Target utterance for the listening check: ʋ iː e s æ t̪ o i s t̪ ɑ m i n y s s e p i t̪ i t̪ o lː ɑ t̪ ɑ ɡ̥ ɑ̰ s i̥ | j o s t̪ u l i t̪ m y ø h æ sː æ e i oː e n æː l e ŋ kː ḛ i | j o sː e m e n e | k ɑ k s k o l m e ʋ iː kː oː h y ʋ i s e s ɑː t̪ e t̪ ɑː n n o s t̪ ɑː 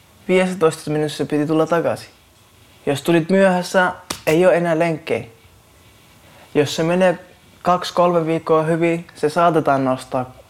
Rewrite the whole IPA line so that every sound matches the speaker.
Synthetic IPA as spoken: ʋ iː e s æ t̪ o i s t̪ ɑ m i n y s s e p i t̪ i t̪ u lː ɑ t̪ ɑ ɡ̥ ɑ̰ s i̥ | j o s t̪ u l i t̪ m y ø h æ sː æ e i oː e n æː l e ŋ kː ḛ i | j o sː e m e n e | k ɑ k s k o l m e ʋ iː kː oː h y ʋ i s e s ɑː t̪ e t̪ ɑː n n o s t̪ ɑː